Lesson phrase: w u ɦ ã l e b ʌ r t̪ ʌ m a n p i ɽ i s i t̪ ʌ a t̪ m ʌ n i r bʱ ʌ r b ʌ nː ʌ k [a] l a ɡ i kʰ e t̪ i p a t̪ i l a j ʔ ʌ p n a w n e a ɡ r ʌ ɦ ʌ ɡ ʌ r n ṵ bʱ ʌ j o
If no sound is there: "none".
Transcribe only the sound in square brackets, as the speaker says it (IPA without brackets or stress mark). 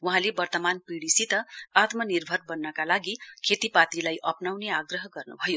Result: a